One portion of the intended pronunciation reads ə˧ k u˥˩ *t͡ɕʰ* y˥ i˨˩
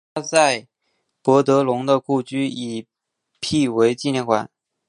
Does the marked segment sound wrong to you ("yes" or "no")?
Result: yes